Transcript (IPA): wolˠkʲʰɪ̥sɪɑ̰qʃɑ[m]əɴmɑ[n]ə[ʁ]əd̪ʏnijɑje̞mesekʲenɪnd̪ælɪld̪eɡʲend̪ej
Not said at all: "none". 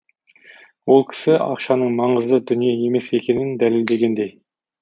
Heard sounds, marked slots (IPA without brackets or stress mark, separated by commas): n, ɴ, z